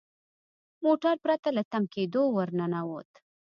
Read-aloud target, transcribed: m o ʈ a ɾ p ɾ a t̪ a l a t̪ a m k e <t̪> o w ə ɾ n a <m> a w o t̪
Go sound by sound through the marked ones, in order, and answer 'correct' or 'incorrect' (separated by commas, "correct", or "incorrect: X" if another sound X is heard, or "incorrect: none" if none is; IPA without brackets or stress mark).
incorrect: d̪, incorrect: n